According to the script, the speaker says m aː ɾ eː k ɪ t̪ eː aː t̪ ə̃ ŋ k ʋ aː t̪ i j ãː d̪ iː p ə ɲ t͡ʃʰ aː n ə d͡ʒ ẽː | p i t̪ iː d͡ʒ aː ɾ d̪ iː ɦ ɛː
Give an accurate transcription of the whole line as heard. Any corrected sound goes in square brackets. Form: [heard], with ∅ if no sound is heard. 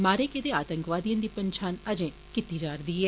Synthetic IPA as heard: m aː ɾ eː k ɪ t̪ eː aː t̪ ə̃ ŋ k ʋ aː [d̪] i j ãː d̪ iː p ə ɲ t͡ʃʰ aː n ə d͡ʒ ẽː | [k] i t̪ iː d͡ʒ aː ɾ d̪ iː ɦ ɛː

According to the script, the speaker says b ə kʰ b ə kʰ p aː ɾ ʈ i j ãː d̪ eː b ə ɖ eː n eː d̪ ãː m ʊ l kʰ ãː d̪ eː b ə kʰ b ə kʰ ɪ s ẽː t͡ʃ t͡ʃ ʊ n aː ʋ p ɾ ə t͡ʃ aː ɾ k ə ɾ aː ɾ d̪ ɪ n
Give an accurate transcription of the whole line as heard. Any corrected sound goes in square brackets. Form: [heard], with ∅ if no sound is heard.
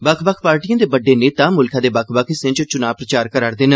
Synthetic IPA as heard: b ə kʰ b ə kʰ p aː ɾ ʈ i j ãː d̪ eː b ə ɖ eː n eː [t̪] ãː m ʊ l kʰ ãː d̪ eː b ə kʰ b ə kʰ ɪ s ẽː t͡ʃ t͡ʃ ʊ n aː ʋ p ɾ ə t͡ʃ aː ɾ k ə ɾ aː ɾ d̪ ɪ n

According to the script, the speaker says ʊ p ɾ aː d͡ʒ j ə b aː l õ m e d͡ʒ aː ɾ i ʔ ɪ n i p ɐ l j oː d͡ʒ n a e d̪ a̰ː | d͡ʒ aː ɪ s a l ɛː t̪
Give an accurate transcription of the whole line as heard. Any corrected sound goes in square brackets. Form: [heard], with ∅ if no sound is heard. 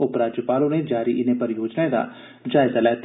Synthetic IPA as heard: ʊ p ɾ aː d͡ʒ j ə [p] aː l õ [n] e d͡ʒ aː ɾ i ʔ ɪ n [e] p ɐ [ɾ] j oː d͡ʒ n a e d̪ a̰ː | d͡ʒ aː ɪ [z] a l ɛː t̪

